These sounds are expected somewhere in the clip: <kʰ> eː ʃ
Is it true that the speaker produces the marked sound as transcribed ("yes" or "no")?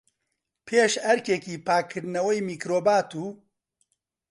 no